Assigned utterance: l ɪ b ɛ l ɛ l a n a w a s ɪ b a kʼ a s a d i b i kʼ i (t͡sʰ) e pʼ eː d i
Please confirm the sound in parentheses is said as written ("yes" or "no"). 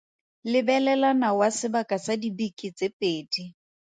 no